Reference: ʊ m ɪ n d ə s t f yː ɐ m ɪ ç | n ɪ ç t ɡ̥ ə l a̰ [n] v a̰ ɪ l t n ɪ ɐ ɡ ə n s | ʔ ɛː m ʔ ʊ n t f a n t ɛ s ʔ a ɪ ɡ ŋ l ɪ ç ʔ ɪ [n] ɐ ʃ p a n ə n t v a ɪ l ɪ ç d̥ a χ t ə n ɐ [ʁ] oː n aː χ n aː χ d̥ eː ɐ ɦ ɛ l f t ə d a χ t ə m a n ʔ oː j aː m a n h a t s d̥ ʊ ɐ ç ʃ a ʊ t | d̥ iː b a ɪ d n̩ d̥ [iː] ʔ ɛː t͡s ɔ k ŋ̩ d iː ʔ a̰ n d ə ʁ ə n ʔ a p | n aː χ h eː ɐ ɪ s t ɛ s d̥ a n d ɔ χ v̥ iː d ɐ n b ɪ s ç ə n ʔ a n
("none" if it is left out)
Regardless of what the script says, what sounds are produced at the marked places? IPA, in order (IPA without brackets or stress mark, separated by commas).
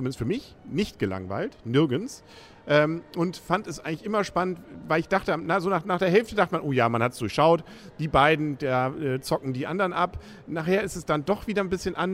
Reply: ŋ, m, z, aː